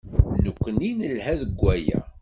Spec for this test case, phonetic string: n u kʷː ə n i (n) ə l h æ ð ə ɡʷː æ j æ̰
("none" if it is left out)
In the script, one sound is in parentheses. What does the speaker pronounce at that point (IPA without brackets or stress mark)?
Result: n